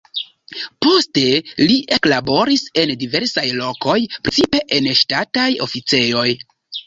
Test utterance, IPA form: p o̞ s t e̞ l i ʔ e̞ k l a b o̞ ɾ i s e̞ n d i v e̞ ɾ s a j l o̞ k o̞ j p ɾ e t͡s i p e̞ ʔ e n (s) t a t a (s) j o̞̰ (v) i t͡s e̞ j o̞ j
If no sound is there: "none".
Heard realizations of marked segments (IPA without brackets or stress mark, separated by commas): ʃ, none, f